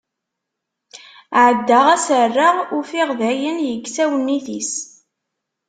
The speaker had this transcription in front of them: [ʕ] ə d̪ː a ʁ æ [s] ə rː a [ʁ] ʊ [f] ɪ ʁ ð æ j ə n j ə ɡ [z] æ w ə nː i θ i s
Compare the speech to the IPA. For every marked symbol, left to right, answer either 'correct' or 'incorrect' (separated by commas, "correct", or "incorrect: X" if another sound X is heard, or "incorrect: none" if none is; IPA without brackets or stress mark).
correct, correct, correct, correct, incorrect: s